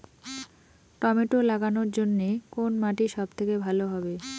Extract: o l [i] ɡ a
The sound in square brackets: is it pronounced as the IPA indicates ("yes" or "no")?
no